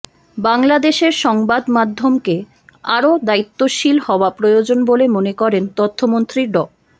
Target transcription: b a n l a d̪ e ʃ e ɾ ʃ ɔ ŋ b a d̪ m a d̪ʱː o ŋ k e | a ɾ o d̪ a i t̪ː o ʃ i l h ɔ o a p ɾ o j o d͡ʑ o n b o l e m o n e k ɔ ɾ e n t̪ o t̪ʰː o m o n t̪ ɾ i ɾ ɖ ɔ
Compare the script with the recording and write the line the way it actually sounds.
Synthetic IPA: b a ŋ l a d̪ e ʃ e ɾ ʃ ɔ ŋ b a d̪ m a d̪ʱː o m k e | a ɾ o d̪ a i t̪ː o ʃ i l h ɔ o a p ɾ o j o d͡ʑ o n b o l e m o n e k ɔ ɾ e n t̪ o t̪ʰː o m o n t̪ ɾ i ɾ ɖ ɔ